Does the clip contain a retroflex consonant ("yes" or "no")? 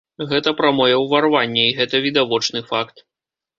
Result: yes